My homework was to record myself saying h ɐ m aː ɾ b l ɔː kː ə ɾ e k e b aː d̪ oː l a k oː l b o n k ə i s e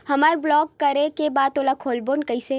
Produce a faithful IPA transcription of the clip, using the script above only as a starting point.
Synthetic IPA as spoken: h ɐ m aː ɾ b l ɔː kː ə ɾ e k e b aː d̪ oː l a kʰ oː l b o n k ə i s e